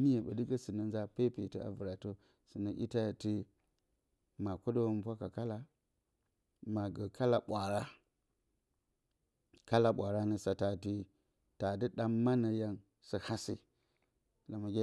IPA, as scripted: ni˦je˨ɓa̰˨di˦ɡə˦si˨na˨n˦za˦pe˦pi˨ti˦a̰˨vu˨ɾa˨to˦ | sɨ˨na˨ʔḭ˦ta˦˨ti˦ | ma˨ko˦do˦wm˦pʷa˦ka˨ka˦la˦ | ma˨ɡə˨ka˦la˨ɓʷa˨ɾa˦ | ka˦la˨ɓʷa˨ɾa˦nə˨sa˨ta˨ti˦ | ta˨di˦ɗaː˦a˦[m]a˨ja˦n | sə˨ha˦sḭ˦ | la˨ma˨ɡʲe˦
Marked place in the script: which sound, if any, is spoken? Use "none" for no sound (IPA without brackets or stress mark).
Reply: n